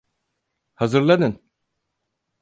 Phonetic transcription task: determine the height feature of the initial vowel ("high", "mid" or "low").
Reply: low